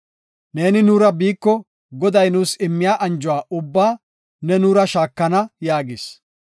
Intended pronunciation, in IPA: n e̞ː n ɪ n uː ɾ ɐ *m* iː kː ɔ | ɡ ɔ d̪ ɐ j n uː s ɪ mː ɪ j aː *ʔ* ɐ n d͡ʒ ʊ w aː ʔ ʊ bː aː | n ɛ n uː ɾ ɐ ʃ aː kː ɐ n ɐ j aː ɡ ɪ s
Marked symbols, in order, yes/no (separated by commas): no, yes